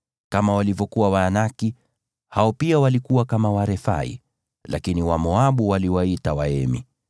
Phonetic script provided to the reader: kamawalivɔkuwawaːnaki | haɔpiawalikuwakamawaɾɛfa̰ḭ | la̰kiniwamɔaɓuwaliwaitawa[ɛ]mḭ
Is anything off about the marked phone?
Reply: no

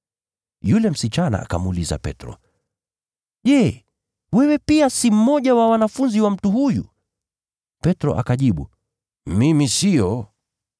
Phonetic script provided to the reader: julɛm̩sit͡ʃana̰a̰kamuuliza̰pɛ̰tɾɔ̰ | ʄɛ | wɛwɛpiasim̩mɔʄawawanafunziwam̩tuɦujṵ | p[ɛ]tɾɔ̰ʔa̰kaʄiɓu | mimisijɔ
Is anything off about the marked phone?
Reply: no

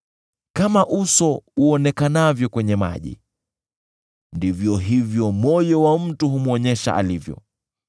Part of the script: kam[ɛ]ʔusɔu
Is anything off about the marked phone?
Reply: yes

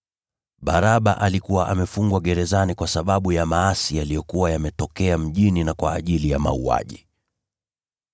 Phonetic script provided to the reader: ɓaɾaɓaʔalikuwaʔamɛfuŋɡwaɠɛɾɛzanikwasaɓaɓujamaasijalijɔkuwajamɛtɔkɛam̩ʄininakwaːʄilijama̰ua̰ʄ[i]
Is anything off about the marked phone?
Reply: no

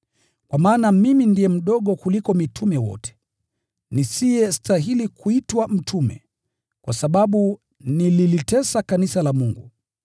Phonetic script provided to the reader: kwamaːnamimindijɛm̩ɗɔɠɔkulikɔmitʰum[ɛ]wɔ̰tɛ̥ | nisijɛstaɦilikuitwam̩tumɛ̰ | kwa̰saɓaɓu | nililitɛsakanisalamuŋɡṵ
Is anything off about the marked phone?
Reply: no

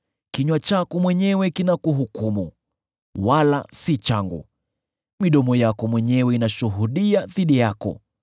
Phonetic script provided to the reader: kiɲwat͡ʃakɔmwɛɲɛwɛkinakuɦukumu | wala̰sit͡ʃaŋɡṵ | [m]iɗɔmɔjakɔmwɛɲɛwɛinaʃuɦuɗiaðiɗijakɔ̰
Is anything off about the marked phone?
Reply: no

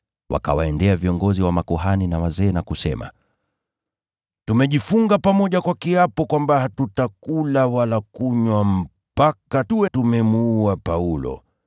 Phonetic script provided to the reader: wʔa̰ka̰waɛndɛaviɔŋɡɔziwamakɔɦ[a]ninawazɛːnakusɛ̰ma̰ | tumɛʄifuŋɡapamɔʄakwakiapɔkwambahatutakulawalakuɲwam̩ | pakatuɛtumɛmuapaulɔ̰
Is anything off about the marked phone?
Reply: no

